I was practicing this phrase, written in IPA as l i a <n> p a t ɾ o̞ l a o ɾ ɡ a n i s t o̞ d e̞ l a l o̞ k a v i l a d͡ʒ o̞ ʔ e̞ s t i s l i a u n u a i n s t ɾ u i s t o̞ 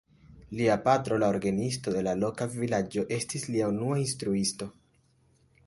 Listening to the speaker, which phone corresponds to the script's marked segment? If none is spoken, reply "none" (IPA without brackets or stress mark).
none